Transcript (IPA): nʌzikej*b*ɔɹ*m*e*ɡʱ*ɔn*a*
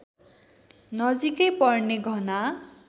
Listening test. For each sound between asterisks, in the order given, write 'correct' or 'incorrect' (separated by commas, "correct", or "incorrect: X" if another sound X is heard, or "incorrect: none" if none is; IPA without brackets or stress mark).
incorrect: p, incorrect: n, correct, correct